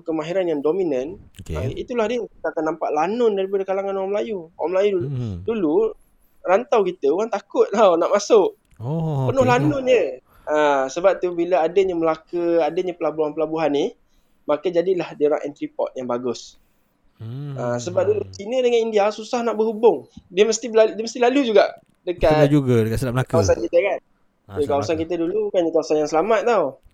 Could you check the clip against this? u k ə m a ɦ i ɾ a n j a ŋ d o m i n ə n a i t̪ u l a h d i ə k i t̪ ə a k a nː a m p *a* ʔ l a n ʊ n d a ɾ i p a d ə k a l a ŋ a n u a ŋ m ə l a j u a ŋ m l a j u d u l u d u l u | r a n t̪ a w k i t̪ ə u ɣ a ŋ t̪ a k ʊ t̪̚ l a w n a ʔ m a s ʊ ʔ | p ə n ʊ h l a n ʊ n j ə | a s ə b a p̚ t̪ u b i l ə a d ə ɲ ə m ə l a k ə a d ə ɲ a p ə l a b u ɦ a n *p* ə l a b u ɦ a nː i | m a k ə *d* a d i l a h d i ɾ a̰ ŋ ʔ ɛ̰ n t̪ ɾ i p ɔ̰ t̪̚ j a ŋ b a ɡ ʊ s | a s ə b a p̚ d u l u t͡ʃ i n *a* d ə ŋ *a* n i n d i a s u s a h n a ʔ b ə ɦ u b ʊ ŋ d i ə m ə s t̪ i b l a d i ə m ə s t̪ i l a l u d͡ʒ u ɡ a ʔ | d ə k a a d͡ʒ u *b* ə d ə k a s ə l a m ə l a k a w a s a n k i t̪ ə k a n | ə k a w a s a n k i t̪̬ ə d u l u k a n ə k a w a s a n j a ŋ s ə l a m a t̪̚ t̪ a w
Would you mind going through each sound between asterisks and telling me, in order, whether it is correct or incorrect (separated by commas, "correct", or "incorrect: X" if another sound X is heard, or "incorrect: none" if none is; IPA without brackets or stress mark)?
correct, correct, incorrect: d͡ʒ, incorrect: ə, correct, incorrect: ɡ